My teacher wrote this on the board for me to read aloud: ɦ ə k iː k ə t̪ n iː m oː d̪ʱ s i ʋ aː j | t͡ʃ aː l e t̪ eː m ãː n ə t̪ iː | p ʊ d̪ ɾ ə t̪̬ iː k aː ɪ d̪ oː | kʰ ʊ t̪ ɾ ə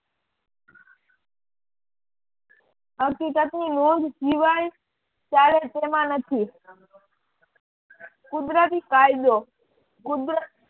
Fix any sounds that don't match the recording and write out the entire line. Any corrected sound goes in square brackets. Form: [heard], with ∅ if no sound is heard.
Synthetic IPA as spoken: ɦ ə k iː k ə t̪ n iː [n] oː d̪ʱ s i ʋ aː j | t͡ʃ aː l e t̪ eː m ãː n ə [t̪ʰ] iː | [k] ʊ d̪ ɾ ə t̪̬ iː k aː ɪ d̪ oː | [k] ʊ [d̪] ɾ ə